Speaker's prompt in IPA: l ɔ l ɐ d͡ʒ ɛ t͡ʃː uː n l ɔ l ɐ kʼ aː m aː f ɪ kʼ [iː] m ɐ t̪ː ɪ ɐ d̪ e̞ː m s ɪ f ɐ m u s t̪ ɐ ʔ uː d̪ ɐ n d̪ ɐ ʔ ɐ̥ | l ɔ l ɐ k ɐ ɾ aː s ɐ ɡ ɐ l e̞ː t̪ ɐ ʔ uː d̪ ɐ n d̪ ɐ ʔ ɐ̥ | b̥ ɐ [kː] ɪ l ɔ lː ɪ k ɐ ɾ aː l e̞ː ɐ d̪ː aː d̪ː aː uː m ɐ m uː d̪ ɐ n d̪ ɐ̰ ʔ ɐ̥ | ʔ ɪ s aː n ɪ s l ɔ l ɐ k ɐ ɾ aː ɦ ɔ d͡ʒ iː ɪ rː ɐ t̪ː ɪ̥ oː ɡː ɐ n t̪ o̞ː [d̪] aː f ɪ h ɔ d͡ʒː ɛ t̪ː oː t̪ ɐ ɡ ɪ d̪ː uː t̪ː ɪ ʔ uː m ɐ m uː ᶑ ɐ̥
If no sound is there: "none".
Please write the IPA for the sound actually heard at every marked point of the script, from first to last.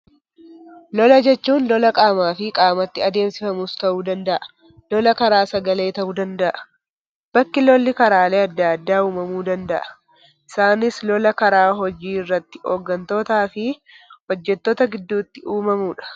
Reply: aː, kː, t̪

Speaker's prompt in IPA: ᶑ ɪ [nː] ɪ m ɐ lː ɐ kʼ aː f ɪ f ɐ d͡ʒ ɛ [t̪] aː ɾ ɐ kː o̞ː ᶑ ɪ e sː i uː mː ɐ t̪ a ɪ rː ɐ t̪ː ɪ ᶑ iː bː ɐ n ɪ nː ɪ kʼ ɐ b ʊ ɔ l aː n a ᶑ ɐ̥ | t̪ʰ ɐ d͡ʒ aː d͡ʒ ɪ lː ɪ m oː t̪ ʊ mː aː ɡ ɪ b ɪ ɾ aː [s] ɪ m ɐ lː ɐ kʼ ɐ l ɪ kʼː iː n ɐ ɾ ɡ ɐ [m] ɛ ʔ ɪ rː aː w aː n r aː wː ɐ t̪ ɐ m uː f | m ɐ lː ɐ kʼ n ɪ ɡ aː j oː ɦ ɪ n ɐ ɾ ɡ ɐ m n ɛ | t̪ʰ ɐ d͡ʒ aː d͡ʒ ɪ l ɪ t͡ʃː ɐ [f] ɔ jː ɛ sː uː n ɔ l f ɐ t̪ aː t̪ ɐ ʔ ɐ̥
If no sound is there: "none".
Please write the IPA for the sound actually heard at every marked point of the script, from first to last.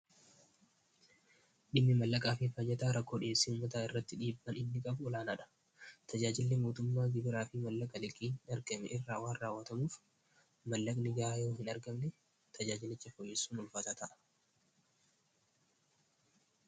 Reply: mː, t̪, f, m, f

